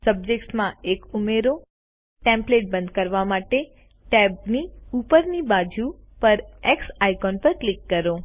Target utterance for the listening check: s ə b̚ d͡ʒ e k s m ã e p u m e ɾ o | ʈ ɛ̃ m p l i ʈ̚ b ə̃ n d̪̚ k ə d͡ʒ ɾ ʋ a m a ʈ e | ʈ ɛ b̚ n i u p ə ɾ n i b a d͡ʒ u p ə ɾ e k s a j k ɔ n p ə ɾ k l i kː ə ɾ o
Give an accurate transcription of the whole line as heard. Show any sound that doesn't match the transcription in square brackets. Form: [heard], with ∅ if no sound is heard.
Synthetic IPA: s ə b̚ d͡ʒ e k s m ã e [k] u m e ɾ o | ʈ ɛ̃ m p l [e] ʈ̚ b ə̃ n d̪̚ k ə [∅] ɾ ʋ a m a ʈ e | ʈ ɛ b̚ n i u p ə ɾ n i b a d͡ʒ u p ə ɾ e k s a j k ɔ n p ə ɾ k l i kː ə ɾ o